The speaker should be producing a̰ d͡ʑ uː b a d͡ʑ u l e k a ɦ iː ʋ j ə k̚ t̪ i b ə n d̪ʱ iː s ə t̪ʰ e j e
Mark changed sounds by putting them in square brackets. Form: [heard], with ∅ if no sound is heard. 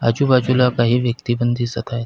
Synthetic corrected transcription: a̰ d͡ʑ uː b a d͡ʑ u l [a] k a ɦ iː ʋ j ə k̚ t̪ i b ə n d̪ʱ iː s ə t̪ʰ [a] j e